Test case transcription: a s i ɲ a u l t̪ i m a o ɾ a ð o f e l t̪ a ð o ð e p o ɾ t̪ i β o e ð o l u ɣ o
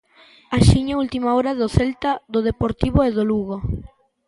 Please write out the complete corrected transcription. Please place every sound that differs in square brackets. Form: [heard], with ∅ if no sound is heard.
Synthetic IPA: a [ʃ] i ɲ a u l t̪ i m a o ɾ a ð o [θ] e l t̪ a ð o ð e p o ɾ t̪ i β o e ð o l u ɣ o